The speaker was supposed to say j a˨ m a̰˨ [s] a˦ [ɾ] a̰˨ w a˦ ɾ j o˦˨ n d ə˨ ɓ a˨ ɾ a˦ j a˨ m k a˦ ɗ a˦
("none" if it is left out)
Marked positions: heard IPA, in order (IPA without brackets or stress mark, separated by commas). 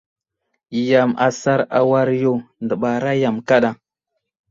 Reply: s, ɾ